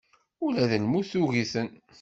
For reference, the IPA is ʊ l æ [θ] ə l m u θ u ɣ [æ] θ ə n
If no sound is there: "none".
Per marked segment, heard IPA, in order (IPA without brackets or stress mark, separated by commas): ð, i